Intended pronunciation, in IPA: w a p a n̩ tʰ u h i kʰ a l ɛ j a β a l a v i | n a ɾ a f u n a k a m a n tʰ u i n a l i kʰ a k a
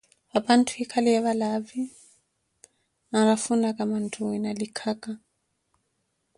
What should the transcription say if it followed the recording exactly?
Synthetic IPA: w a p a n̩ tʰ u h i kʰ a l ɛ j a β a l a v i | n a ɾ a f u n a k a m a n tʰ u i n a l i kʰ a k a